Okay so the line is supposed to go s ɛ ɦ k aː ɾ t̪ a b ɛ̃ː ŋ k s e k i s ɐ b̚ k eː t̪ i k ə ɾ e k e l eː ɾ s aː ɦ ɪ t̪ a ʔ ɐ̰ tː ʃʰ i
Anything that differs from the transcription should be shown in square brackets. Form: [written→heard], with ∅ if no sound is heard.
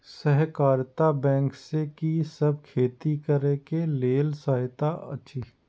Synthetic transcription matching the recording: s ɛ ɦ k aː ɾ t̪ a b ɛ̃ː ŋ k s e k i s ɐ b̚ [k→kʰ] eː t̪ i k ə ɾ e k e l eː [ɾ→l] s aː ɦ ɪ t̪ a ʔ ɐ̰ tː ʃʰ i